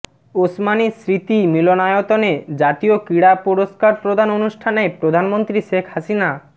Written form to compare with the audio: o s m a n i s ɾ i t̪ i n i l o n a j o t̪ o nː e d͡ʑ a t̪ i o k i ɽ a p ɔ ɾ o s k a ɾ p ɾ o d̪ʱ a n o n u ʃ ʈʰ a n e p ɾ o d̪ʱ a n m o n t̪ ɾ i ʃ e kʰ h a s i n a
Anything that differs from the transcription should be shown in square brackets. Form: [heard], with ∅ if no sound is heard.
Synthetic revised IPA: o s m a n i s ɾ i t̪ i [m] i l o n a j o t̪ o [n] e d͡ʑ a t̪ i o k i ɽ a p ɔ ɾ o s k a ɾ p ɾ o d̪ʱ a n o n u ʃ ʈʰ a n e p ɾ o d̪ʱ a n m o n t̪ ɾ i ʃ e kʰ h a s i n a